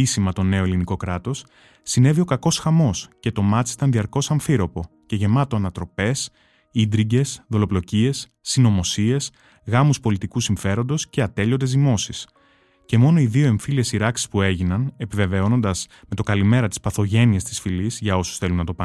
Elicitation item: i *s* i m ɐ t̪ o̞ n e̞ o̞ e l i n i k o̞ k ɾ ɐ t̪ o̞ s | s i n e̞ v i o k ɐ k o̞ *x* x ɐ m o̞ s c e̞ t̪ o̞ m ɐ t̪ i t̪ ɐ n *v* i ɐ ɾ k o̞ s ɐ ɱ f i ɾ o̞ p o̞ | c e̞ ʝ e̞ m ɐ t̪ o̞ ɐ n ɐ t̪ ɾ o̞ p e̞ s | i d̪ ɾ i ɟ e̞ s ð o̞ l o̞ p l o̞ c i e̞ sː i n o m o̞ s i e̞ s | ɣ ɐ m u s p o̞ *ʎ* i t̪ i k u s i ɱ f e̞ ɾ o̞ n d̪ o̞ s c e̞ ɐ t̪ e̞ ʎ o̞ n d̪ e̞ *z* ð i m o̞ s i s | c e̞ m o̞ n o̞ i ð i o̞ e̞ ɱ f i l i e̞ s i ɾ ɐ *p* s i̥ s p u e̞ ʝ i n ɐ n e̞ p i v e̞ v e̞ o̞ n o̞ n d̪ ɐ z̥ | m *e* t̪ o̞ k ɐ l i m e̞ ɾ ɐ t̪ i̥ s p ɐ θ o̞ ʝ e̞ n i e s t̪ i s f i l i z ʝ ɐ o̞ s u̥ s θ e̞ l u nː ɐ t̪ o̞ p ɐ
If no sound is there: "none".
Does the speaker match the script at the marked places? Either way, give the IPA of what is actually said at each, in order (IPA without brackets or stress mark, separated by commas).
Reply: s, s, ð, l, z, k, e